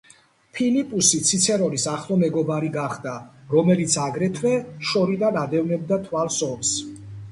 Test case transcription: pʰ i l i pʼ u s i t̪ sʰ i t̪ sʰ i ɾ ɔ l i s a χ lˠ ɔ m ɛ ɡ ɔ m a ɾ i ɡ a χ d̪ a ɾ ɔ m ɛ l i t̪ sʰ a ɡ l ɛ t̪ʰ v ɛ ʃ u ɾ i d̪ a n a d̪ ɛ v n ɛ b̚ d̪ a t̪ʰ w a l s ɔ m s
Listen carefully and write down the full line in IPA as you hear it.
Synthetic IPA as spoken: pʰ i l i pʼ u s i t̪ sʰ i t̪ sʰ ɛ ɾ ɔ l i s a χ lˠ ɔ m ɛ ɡ ɔ b a ɾ i ɡ a χ d̪ a ɾ ɔ m ɛ l i t̪ sʰ a ɡ ɾ ɛ t̪ʰ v ɛ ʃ ɔ ɾ i d̪ a n a d̪ ɛ v n ɛ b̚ d̪ a t̪ʰ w a l s ɔ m s